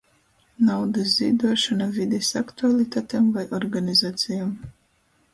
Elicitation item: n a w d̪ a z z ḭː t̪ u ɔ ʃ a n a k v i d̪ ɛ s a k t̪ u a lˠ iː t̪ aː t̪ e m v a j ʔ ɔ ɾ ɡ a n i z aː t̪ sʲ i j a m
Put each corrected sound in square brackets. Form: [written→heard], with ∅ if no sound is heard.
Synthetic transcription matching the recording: n a w d̪ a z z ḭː [t̪→d̪] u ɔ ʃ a n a [k→∅] v i d̪ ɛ s a k t̪ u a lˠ [iː→i] t̪ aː t̪ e m v a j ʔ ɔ ɾ ɡ a n i z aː t̪ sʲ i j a m